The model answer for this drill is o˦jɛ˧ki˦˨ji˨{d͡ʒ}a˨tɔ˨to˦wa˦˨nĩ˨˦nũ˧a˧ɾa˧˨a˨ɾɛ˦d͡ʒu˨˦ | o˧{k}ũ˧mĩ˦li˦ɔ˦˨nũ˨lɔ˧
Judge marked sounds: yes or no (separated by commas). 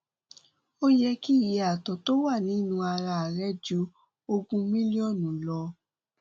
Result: no, no